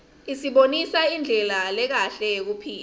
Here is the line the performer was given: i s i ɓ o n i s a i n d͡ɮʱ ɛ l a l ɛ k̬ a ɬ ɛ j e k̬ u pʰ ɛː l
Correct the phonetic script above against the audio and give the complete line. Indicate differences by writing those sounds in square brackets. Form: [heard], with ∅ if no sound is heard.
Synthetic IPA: i s i ɓ o n i s a i n d͡ɮʱ ɛ l a l ɛ k̬ a ɬ ɛ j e k̬ u pʰ [iː] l